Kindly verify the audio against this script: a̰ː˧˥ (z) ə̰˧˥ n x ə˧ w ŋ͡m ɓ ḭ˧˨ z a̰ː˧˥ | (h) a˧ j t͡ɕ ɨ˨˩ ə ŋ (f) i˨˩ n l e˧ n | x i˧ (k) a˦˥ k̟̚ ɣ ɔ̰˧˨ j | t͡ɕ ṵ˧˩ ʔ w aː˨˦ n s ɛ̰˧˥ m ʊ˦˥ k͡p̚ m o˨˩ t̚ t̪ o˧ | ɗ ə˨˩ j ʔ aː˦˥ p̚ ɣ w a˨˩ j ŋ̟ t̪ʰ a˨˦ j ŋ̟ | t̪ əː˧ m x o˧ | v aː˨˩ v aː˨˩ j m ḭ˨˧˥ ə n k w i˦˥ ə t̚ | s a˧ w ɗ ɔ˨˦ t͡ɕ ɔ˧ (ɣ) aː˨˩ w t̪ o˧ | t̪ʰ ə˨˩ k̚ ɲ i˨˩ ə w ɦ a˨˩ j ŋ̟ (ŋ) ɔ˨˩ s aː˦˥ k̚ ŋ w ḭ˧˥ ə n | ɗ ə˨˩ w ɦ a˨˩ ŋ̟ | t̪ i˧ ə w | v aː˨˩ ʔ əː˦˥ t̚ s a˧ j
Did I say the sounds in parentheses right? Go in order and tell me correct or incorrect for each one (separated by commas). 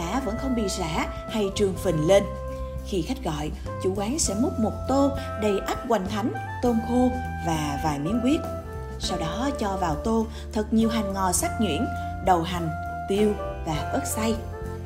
incorrect, correct, correct, incorrect, incorrect, correct